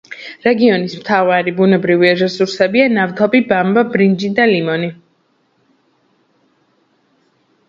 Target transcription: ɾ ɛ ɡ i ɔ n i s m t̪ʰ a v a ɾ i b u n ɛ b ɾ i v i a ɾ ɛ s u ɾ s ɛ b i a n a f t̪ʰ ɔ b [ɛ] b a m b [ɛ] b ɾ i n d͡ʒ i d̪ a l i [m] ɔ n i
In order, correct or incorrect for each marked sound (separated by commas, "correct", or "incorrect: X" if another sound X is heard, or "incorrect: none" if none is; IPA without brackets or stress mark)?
incorrect: i, incorrect: a, correct